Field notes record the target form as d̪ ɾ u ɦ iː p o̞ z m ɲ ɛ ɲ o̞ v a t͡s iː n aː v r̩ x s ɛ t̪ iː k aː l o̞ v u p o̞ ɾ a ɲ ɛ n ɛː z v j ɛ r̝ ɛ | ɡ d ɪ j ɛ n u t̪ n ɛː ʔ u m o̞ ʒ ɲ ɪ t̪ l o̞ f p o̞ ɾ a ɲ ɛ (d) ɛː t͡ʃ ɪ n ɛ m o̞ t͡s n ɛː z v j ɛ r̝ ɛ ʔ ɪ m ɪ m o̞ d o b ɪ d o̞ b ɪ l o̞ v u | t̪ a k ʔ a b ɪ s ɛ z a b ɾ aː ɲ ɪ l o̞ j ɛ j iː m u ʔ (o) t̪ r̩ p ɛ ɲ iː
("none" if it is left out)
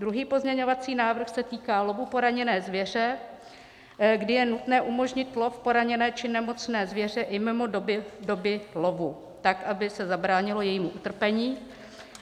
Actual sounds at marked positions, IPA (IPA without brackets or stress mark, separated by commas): n, u